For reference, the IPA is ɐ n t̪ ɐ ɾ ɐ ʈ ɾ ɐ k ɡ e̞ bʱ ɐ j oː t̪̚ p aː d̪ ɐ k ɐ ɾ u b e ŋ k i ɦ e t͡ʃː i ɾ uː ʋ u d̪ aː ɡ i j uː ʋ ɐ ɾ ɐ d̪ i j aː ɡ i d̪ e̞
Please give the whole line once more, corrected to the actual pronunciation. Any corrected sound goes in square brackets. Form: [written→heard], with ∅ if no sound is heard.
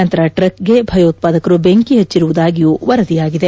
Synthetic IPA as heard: ɐ n t̪ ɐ ɾ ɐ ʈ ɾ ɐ k ɡ e̞ bʱ ɐ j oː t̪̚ p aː d̪ ɐ k ɐ ɾ u b e ŋ k i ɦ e t͡ʃː i ɾ [uː→u] ʋ u d̪ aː ɡ i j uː ʋ ɐ ɾ ɐ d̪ i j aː ɡ i d̪ e̞

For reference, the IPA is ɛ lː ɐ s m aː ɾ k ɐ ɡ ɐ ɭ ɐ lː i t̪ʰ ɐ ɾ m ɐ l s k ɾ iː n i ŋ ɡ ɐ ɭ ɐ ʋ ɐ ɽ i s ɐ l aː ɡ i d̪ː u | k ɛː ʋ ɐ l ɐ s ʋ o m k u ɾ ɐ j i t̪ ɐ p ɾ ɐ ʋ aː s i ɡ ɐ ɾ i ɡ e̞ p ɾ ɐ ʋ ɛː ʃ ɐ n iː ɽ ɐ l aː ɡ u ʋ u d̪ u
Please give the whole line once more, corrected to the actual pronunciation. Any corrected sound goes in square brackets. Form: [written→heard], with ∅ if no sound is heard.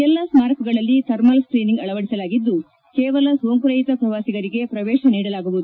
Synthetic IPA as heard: ɛ lː ɐ s m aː ɾ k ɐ ɡ ɐ ɭ ɐ lː i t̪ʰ ɐ ɾ m ɐ l s k ɾ iː n i ŋ ɡ ɐ ɭ ɐ ʋ ɐ ɽ i s ɐ l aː ɡ i d̪ː u | k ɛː ʋ ɐ l ɐ s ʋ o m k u ɾ ɐ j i t̪ ɐ p ɾ ɐ ʋ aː s i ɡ ɐ ɾ i ɡ e̞ p ɾ ɐ ʋ ɛː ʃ ɐ n iː ɽ ɐ l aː ɡ u ʋ u d̪ u

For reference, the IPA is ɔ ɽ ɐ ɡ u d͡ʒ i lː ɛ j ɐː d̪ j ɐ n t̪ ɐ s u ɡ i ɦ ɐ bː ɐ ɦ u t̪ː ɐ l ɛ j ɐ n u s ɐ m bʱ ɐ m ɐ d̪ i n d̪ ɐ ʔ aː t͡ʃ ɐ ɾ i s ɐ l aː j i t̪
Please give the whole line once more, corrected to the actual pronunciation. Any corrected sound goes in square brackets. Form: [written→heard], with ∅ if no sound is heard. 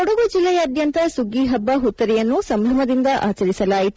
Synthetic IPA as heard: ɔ ɽ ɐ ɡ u d͡ʒ i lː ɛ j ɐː d̪ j ɐ n t̪ ɐ s u ɡ i ɦ ɐ bː ɐ ɦ u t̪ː ɐ [l→ɾ] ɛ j ɐ [n→nː] u s ɐ m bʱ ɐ m ɐ d̪ i n d̪ ɐ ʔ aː t͡ʃ ɐ ɾ i s ɐ l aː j i t̪

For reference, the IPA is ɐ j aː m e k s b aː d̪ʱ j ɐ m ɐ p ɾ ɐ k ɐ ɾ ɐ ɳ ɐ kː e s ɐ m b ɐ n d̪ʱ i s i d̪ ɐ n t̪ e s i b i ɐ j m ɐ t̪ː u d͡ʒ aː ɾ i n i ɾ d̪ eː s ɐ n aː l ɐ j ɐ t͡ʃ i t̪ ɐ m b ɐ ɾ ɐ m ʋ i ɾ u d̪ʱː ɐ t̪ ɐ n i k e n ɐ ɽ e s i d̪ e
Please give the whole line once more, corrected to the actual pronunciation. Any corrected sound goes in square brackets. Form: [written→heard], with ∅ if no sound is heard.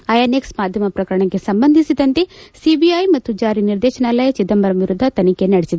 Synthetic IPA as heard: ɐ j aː [m→n] e k s [b→m] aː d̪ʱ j ɐ m ɐ p ɾ ɐ k ɐ ɾ ɐ ɳ ɐ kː e s ɐ m b ɐ n d̪ʱ i s i d̪ ɐ n t̪ e s i b i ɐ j m ɐ t̪ː u d͡ʒ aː ɾ i n i ɾ d̪ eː [s→ʃ] ɐ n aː l ɐ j ɐ t͡ʃ i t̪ ɐ m b ɐ ɾ ɐ m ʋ i ɾ u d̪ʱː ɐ t̪ ɐ n i k e n ɐ ɽ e s i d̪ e

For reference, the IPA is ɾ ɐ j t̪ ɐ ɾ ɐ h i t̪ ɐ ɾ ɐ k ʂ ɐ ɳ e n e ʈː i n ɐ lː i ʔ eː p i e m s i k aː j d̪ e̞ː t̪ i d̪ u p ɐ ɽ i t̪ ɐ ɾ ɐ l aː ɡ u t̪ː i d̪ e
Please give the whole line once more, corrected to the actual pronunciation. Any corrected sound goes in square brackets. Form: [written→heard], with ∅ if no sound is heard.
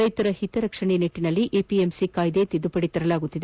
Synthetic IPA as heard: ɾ ɐ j t̪ ɐ ɾ ɐ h i t̪ ɐ ɾ ɐ k ʂ ɐ ɳ e n e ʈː i n ɐ lː i ʔ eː p i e m s i k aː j d̪ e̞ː t̪ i d̪ u p ɐ ɽ i t̪ ɐ ɾ ɐ l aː ɡ u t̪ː i d̪ e

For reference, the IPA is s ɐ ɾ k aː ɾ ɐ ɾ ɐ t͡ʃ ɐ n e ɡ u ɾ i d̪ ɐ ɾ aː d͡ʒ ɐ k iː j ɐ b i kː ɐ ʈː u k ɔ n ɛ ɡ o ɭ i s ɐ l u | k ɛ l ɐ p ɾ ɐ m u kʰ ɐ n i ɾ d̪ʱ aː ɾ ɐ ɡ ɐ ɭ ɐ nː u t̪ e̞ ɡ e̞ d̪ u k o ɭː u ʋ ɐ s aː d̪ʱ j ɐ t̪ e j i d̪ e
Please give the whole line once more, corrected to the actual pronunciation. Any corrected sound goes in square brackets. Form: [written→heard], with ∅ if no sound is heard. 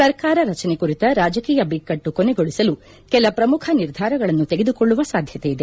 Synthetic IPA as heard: s ɐ ɾ k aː ɾ ɐ ɾ ɐ t͡ʃ ɐ n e [ɡ→k] u ɾ i [d̪→t̪] ɐ ɾ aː d͡ʒ ɐ k iː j ɐ b i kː ɐ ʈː u k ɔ n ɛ ɡ o ɭ i s ɐ l u | k ɛ l ɐ p ɾ ɐ m u kʰ ɐ n i ɾ d̪ʱ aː ɾ ɐ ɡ ɐ ɭ ɐ nː u t̪ e̞ ɡ e̞ d̪ u k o ɭː u ʋ ɐ s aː d̪ʱ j ɐ t̪ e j i d̪ e

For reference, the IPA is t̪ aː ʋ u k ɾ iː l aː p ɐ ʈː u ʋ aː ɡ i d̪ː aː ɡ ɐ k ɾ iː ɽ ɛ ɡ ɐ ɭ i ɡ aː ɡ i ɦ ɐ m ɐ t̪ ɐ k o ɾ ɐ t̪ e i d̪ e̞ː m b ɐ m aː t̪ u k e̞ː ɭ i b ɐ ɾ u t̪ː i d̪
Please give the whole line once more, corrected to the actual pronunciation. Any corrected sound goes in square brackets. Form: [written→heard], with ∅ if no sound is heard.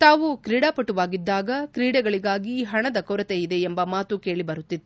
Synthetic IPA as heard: t̪ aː ʋ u k ɾ iː [l→ɽ] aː p ɐ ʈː u ʋ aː ɡ i d̪ː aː ɡ ɐ k ɾ iː ɽ ɛ ɡ ɐ ɭ i ɡ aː ɡ i ɦ ɐ [m→ɳ] ɐ [t̪→d̪] ɐ k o ɾ ɐ t̪ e i d̪ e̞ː m b ɐ m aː t̪ u k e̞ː ɭ i b ɐ ɾ u t̪ː i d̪

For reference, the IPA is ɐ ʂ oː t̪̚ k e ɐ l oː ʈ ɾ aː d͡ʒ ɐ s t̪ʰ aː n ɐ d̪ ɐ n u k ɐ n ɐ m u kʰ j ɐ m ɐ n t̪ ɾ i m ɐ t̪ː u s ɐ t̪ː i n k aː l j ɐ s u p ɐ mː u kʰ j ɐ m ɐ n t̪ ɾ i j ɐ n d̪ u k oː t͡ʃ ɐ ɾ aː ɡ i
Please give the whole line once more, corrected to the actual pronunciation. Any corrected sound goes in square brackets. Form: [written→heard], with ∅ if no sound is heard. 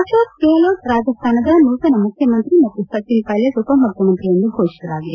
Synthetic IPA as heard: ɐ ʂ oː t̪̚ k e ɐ l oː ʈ ɾ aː d͡ʒ ɐ s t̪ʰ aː n ɐ d̪ ɐ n u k ɐ n ɐ m u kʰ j ɐ m ɐ n t̪ ɾ i m ɐ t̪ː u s ɐ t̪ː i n k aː l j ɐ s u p ɐ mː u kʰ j ɐ m ɐ n t̪ ɾ i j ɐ n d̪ u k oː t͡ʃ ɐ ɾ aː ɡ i

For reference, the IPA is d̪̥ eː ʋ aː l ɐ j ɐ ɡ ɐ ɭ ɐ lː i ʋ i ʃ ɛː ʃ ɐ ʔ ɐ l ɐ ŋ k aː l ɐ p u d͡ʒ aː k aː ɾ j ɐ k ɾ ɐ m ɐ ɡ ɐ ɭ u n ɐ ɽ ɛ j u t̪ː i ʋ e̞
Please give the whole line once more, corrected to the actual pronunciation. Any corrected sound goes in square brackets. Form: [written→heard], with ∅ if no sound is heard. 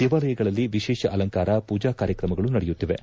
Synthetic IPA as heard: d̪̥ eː ʋ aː l ɐ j ɐ ɡ ɐ ɭ ɐ lː i ʋ i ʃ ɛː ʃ ɐ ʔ ɐ l ɐ ŋ k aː [l→ɾ] ɐ p [u→uː] d͡ʒ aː k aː ɾ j ɐ k ɾ ɐ m ɐ ɡ ɐ ɭ u n ɐ ɽ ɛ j u t̪ː i ʋ e̞

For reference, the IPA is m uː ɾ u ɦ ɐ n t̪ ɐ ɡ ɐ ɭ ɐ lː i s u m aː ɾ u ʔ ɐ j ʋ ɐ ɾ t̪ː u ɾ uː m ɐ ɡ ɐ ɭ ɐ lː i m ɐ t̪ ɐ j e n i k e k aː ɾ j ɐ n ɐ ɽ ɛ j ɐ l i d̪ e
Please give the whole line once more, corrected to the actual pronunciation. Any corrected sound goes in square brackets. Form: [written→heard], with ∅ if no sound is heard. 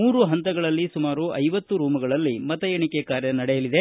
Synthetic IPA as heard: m uː ɾ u ɦ ɐ n t̪ ɐ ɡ ɐ ɭ ɐ lː i s u m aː ɾ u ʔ ɐ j ʋ ɐ [ɾ→∅] t̪ː u ɾ uː m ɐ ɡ ɐ ɭ ɐ lː i m ɐ t̪ ɐ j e [n→ɳ] i k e k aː ɾ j ɐ n ɐ ɽ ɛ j ɐ l i d̪ e

